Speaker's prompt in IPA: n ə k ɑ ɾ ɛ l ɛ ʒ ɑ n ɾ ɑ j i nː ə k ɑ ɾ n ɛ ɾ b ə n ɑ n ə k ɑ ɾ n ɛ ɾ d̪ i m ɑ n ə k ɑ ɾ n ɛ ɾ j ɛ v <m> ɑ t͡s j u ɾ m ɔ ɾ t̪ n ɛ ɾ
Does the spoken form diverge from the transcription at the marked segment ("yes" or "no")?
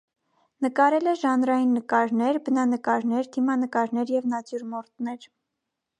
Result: yes